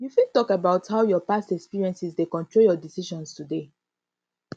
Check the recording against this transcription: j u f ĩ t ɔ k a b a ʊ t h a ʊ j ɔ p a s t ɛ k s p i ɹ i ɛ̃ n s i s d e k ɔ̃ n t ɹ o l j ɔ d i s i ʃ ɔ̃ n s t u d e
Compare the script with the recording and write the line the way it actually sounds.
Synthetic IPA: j u f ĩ t ɔ k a b a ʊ t h a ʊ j ɔ p a s t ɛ k s p i ɹ i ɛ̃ n s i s d e k ɔ̃ n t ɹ o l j ɔ d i s i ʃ ɔ̃ n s t u d e